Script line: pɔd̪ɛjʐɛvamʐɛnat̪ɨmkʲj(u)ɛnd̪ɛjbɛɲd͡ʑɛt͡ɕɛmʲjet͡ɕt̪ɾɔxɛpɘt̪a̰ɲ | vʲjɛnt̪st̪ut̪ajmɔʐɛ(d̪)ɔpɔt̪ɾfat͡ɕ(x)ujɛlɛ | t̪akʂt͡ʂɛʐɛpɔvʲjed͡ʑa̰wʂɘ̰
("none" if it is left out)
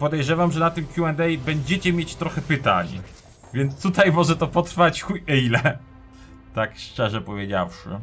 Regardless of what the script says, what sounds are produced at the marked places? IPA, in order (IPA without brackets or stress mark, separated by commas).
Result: u, t̪, x